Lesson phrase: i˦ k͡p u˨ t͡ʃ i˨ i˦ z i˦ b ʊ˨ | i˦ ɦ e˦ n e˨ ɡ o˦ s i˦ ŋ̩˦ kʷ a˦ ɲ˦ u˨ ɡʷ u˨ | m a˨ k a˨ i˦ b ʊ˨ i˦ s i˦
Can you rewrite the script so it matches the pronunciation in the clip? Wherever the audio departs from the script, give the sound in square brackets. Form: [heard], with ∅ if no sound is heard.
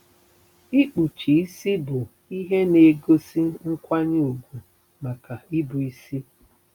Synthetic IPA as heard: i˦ k͡p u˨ t͡ʃ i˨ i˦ [s] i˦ b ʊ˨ | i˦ ɦ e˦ n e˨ ɡ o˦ s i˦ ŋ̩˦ kʷ a˦ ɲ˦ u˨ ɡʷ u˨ | m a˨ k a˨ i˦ b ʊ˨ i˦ s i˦